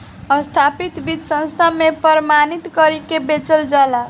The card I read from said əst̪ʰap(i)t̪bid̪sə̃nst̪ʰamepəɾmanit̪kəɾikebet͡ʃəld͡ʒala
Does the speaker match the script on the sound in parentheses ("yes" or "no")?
yes